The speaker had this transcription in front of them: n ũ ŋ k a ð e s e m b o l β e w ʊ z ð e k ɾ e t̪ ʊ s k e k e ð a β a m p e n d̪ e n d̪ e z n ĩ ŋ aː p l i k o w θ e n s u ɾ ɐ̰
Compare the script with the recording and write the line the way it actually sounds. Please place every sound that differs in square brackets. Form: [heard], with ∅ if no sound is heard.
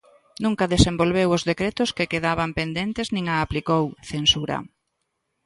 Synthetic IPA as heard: n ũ ŋ k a ð e s e m b o l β e w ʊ z ð e k ɾ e t̪ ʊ s k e k e ð a β a m p e n d̪ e n [t̪] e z n ĩ ŋ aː p l i k o w θ e n s u ɾ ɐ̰